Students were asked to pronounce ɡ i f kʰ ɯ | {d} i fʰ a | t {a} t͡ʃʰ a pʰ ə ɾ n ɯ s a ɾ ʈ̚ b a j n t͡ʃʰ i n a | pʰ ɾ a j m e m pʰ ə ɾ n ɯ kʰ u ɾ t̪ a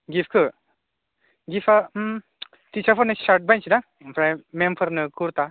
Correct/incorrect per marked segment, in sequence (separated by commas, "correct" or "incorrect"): incorrect, incorrect